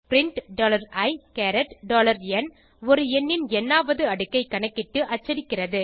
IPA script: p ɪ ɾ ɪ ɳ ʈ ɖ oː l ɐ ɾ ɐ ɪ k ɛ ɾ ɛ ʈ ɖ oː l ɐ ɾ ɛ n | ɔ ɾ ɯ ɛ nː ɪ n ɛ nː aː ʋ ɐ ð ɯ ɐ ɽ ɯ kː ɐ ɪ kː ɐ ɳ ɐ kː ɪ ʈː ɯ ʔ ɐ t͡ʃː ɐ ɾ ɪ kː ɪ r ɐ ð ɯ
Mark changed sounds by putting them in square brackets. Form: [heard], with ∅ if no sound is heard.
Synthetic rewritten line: p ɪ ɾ ɪ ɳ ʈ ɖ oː l ɐ ɾ ɐ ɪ k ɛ ɾ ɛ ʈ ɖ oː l ɐ ɾ ɛ n | ɔ ɾ ɯ ɛ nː ɪ n ɛ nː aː ʋ ɐ ð ɯ ɐ ɽ ɯ kː ɐ ɪ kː ɐ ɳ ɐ kː ɪ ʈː ɯ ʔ ɐ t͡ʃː ɐ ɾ ɪ kː ɪ r ɐ ð ɯ